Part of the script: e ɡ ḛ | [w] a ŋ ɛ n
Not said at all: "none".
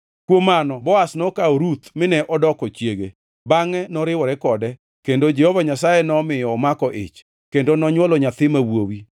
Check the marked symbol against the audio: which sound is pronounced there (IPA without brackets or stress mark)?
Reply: b